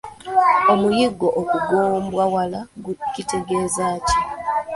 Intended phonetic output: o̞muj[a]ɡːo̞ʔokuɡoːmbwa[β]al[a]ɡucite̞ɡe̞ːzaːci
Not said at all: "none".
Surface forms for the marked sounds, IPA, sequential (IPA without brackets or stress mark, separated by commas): i, w, a